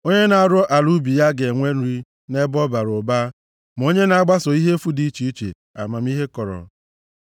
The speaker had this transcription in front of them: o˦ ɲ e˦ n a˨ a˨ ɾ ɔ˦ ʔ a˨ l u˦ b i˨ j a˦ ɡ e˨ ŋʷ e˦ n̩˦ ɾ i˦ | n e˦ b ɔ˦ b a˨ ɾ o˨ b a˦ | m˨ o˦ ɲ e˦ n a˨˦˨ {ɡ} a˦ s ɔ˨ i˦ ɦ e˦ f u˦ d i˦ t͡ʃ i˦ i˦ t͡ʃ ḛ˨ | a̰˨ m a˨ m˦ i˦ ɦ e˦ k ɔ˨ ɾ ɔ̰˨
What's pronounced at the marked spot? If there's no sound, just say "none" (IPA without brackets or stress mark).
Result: ɡ͡b